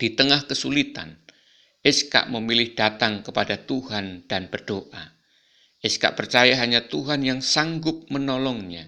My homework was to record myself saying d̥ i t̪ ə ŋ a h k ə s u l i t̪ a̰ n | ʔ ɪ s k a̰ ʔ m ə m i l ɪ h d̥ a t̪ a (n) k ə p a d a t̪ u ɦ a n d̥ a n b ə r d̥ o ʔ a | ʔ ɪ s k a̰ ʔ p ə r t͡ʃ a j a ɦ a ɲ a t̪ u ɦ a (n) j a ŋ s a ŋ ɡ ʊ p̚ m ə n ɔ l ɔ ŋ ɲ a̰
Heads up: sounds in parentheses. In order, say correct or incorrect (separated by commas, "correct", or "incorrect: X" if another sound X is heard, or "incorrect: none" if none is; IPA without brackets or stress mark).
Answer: incorrect: ŋ, correct